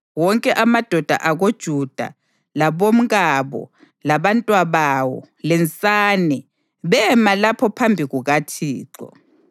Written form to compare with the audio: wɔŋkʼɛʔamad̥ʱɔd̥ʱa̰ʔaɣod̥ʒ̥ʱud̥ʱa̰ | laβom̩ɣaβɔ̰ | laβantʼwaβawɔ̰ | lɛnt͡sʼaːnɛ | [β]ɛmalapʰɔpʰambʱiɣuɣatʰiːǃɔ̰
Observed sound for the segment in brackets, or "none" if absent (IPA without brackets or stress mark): β